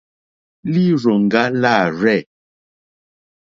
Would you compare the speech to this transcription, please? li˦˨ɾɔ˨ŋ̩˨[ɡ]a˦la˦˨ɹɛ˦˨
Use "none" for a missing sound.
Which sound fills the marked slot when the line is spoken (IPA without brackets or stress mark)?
ɡ